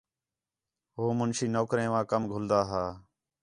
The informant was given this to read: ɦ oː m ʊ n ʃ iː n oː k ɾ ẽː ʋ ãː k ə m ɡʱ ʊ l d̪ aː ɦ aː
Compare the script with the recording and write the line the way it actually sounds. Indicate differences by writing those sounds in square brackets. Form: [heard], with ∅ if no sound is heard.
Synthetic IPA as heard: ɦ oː m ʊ n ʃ iː n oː k ɾ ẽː ʋ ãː k ə m ɡʱ ʊ l d̪ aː ɦ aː

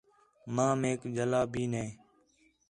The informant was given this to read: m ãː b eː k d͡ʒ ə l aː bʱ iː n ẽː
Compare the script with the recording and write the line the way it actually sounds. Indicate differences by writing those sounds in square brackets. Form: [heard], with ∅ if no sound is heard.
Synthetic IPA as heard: m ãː [m] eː k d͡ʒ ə l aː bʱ iː n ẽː

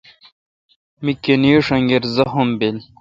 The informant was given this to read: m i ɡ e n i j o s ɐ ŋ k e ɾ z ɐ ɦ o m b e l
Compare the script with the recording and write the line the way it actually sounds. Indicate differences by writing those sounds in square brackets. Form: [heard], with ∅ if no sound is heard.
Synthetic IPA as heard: m i [k] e n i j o [ʂ] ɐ ŋ [ɡ] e ɾ z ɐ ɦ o m b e l

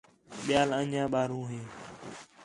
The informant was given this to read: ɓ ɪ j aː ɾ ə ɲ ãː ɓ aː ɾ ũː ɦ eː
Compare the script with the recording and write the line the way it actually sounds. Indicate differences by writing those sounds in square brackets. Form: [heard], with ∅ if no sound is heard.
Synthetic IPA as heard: ɓ ɪ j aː [l] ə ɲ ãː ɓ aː ɾ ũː ɦ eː

